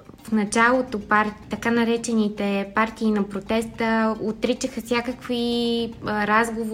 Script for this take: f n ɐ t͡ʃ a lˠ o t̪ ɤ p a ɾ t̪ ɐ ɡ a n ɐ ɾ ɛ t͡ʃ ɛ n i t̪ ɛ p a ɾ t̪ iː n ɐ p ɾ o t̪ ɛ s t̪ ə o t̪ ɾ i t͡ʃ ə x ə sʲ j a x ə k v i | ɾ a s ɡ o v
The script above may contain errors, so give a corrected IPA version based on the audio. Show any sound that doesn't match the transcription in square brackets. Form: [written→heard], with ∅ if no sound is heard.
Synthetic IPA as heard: f n ɐ t͡ʃ a lˠ o t̪ [ɤ→o] p a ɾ t̪ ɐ [ɡ→k] a n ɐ ɾ ɛ t͡ʃ ɛ n i t̪ ɛ p a ɾ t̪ iː n ɐ p ɾ o t̪ ɛ s t̪ ə o t̪ ɾ i t͡ʃ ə x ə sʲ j a [x→k] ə k v i | ɾ a [s→z] ɡ o v